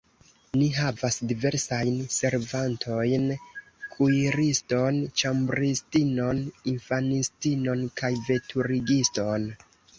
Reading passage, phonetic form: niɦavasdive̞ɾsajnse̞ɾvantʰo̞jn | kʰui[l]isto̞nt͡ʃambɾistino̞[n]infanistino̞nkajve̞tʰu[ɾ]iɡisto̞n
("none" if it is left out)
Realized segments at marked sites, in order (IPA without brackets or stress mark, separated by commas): ɾ, n, ɾ